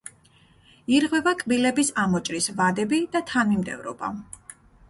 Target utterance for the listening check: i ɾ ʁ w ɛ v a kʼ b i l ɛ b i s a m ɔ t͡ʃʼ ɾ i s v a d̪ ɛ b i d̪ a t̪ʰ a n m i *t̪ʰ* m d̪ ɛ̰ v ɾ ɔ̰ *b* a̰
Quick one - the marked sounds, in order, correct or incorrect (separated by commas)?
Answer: incorrect, correct